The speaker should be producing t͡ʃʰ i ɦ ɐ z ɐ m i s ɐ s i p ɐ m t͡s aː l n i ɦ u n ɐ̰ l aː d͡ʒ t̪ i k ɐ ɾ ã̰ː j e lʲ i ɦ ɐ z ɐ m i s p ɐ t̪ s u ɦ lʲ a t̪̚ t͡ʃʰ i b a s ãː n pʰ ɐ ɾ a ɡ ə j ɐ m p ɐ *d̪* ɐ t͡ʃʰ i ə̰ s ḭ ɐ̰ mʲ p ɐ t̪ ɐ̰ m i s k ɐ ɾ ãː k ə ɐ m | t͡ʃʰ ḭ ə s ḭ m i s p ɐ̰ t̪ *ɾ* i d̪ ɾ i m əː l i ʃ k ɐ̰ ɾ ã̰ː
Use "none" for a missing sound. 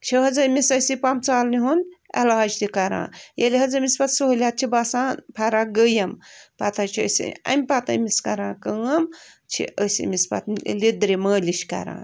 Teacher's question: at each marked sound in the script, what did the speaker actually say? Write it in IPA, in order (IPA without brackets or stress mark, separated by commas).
t̪, l